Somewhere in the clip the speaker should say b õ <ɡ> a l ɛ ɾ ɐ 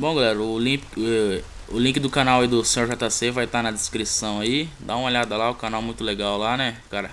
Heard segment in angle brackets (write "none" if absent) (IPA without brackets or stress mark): ɡ